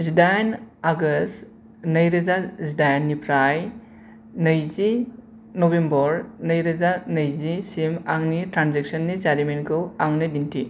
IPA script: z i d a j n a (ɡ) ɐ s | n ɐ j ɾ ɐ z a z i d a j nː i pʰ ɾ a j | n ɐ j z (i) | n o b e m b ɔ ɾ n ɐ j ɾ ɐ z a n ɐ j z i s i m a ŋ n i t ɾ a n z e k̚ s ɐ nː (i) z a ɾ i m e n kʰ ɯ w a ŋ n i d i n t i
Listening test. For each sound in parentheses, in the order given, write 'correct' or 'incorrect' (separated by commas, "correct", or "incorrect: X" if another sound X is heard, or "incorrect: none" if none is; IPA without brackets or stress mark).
correct, correct, correct